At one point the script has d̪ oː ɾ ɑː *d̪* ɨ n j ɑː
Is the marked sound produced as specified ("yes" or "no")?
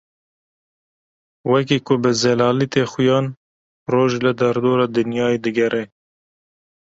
yes